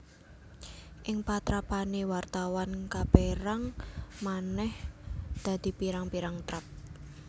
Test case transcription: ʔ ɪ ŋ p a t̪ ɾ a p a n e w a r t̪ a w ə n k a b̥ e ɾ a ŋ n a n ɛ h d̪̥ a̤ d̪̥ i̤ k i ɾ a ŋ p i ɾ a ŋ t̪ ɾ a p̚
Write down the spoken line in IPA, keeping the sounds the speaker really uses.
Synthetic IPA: ʔ ɪ ŋ p a t̪ ɾ a p a n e w a r t̪ a w a n k a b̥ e ɾ a ŋ m a n ɛ h d̪̥ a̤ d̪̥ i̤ p i ɾ a ŋ p i ɾ a ŋ t̪ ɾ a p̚